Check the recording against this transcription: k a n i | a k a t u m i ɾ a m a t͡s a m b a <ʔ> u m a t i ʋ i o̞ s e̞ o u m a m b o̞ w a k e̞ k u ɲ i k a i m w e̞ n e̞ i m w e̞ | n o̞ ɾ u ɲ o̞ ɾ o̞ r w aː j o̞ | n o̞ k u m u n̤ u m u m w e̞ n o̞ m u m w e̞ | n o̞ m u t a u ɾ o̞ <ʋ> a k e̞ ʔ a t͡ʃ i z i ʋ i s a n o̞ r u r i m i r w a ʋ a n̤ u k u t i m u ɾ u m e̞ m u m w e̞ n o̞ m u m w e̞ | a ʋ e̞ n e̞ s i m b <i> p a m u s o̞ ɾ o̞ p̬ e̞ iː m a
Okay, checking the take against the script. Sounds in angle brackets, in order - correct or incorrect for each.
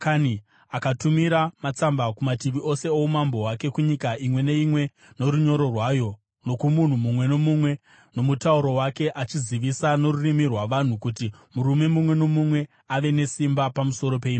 incorrect, incorrect, incorrect

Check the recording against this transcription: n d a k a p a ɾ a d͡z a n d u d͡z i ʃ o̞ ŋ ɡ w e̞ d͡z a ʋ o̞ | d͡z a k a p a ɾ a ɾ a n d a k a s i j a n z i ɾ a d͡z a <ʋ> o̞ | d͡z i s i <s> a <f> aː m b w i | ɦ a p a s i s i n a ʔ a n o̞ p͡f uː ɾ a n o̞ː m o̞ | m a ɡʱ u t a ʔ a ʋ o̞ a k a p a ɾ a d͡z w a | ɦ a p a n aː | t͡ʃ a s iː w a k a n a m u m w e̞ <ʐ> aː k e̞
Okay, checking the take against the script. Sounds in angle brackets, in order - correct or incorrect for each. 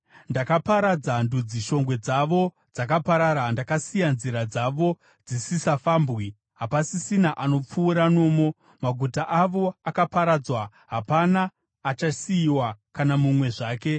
correct, correct, correct, correct

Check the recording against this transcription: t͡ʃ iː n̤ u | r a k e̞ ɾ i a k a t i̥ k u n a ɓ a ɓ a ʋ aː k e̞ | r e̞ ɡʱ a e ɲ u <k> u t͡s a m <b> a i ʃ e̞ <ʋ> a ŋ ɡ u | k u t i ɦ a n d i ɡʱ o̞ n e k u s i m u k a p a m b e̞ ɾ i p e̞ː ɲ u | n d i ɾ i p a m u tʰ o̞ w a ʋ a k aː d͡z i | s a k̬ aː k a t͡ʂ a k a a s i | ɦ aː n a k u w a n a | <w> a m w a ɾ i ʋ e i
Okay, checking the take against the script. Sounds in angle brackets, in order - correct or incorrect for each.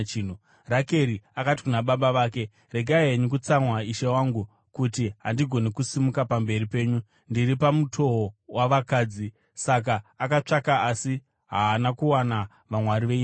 correct, incorrect, incorrect, incorrect

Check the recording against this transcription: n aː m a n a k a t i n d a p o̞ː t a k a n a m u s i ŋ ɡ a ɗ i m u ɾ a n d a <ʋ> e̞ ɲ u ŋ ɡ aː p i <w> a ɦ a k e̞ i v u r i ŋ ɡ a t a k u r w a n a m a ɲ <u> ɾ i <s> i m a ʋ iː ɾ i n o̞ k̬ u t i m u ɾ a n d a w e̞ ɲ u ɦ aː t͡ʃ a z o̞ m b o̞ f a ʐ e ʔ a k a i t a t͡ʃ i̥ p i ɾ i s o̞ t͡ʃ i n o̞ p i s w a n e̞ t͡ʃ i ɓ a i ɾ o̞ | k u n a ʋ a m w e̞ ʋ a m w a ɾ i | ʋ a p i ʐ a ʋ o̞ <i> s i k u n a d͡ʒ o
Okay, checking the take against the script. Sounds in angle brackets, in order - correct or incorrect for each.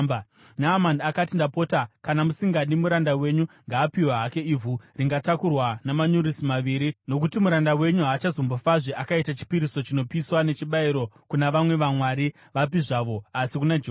incorrect, correct, correct, correct, incorrect

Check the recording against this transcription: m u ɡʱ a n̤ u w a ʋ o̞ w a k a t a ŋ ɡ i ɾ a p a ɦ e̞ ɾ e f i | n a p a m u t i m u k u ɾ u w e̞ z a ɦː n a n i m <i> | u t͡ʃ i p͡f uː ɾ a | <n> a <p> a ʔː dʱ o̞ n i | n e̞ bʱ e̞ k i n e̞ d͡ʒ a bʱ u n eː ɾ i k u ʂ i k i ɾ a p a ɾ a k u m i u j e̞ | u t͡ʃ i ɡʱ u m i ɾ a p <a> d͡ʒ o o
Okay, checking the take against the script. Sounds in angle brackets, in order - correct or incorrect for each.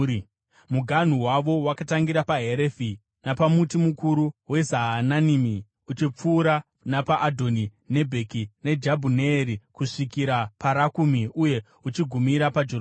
correct, correct, correct, correct

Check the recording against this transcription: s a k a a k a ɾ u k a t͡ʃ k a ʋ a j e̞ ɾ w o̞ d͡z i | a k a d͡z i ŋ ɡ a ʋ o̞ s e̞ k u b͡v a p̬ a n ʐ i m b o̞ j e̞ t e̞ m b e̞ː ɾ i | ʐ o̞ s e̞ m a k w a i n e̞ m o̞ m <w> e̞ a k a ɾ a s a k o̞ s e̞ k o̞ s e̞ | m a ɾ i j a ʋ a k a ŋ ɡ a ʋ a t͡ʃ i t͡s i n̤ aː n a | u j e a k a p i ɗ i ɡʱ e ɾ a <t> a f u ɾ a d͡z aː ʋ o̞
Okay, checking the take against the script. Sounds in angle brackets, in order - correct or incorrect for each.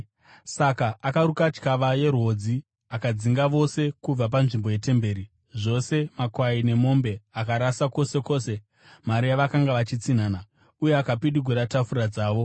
incorrect, correct

